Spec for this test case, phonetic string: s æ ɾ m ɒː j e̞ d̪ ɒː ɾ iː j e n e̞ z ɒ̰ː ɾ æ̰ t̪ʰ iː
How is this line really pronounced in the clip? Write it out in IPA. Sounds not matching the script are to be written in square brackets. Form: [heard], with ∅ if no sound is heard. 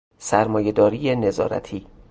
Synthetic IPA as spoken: s æ ɾ m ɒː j e̞ d̪ ɒː ɾ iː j e n e̞ z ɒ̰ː ɾ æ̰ t̪ʰ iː